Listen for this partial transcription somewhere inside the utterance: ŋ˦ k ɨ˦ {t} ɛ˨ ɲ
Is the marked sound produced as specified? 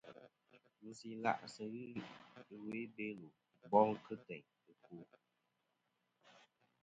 yes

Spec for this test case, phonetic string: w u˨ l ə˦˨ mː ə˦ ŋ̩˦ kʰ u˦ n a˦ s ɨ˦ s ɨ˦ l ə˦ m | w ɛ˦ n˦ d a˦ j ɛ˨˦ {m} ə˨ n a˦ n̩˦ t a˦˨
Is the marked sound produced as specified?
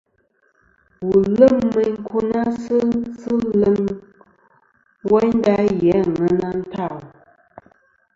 no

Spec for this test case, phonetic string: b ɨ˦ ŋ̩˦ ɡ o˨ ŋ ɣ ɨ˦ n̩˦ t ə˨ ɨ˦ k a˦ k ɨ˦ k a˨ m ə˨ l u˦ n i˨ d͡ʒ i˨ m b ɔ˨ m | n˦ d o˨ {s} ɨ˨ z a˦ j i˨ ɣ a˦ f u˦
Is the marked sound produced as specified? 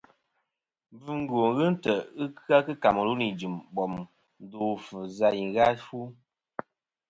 no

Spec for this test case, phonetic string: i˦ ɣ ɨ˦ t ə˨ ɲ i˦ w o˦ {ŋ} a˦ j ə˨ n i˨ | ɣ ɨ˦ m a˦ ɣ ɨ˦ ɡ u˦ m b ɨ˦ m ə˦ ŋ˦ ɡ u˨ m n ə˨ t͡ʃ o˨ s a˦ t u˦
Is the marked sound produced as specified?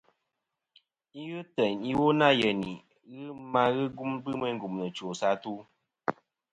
no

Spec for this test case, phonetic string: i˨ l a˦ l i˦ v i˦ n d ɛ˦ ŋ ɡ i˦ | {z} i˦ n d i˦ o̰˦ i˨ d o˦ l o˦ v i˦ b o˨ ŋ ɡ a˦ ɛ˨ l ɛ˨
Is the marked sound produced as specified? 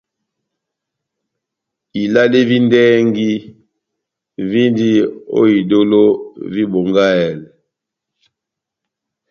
no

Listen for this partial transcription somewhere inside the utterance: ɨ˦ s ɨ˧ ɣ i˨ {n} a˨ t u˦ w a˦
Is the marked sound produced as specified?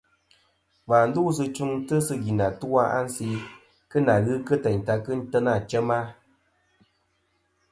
yes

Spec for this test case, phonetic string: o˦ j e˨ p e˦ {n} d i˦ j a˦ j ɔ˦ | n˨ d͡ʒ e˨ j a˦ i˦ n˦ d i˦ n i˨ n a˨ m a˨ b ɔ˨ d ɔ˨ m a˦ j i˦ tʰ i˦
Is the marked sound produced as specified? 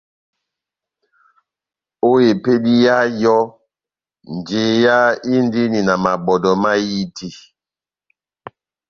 no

